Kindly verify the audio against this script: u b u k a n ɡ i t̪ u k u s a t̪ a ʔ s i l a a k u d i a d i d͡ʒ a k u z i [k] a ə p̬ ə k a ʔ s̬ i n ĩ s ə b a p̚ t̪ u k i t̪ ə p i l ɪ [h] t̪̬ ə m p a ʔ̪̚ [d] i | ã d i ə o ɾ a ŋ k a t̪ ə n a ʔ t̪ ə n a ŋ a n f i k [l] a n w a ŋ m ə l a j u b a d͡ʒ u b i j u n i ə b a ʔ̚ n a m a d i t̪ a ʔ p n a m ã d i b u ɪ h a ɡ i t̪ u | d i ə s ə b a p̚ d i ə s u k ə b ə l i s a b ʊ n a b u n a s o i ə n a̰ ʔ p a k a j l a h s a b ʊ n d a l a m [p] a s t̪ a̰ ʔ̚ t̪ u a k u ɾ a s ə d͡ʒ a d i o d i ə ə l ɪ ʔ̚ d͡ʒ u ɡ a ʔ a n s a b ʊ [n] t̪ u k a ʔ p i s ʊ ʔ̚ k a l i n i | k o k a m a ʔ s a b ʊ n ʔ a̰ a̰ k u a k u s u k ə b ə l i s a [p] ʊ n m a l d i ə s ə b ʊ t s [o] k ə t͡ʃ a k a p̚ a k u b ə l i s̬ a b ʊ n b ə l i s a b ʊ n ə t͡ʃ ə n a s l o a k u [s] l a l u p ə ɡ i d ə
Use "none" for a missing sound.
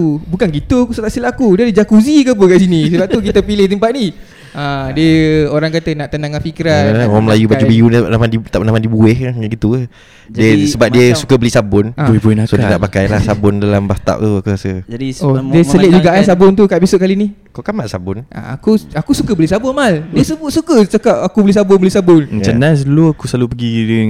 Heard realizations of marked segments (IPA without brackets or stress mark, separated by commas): k, h, n, ɾ, b, n, b, u, s